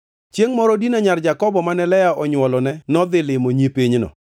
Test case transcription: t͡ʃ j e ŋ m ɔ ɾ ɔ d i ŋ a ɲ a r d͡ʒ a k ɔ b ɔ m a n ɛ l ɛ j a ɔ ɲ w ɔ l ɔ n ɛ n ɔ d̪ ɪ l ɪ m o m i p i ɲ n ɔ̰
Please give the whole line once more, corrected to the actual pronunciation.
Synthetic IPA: t͡ʃ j e ŋ m ɔ ɾ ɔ d i n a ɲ a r d͡ʒ a k ɔ b ɔ m a n ɛ l ɛ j a ɔ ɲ w ɔ l ɔ n ɛ n ɔ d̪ ɪ l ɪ m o ɲ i p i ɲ n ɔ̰